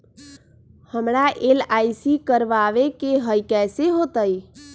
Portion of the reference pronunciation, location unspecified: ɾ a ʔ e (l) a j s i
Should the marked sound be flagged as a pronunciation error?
no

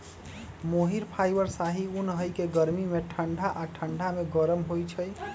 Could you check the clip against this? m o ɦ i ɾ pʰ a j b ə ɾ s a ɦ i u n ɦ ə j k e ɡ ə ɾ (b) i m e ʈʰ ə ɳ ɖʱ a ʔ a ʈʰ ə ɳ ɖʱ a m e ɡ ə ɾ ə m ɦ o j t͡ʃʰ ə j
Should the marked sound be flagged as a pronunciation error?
yes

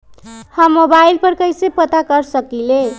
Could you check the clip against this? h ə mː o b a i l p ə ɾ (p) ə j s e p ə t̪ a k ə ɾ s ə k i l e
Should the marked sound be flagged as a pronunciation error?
yes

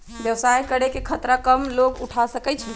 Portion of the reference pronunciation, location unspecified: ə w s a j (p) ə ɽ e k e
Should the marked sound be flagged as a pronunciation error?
yes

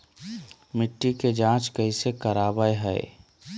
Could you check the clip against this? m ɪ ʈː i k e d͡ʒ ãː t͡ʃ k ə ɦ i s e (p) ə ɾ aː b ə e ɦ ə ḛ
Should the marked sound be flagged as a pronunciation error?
yes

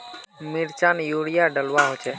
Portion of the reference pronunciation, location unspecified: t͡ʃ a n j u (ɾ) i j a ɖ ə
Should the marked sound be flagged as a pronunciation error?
yes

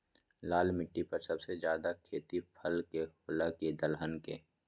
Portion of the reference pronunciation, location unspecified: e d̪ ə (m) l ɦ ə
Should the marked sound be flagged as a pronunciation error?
yes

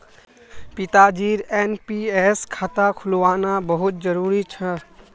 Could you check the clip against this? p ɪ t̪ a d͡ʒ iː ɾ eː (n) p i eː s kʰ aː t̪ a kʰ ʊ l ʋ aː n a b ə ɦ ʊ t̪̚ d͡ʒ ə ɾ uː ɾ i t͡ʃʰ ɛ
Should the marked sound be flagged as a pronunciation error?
no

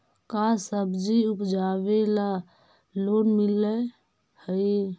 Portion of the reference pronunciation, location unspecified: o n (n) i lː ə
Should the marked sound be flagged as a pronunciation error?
yes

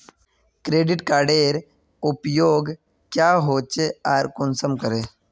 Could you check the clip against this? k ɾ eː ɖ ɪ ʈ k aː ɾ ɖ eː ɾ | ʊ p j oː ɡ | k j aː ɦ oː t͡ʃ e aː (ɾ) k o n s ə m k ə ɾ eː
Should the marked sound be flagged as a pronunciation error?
no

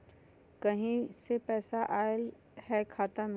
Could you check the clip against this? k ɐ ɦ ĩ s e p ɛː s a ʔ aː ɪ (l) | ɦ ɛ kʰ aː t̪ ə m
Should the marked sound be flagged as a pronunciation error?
no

